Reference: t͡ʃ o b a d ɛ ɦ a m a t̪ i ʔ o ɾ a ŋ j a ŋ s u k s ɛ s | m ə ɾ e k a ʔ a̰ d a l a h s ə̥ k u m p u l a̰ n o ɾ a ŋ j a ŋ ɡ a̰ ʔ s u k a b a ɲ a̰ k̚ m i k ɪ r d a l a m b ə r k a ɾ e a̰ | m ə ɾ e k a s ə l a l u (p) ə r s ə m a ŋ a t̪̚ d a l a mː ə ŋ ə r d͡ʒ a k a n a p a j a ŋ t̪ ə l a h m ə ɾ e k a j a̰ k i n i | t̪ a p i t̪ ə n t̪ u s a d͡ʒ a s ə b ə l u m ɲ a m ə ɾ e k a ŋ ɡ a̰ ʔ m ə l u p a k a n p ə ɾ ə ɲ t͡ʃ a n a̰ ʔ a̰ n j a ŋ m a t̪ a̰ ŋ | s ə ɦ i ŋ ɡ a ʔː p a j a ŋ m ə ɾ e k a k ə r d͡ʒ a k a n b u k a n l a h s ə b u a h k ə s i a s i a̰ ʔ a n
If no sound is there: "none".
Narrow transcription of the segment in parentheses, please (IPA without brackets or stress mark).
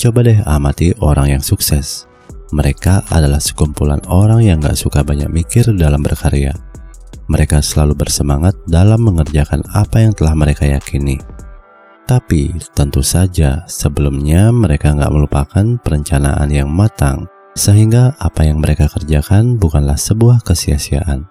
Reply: b